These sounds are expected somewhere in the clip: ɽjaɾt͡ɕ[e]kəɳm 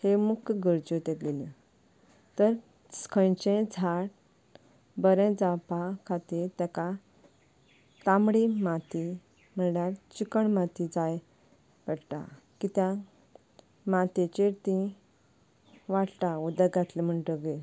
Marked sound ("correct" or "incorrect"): incorrect